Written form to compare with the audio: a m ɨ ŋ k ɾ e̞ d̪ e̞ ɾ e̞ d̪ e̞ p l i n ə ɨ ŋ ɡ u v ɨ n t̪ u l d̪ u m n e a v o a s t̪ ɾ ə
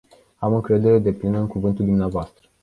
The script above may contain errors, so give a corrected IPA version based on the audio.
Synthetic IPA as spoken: a m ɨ ŋ k ɾ e̞ d̪ e̞ ɾ e̞ d̪ e̞ p l i n ə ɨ ŋ k u v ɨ n t̪ u l d̪ u m n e a v o a s t̪ ɾ ə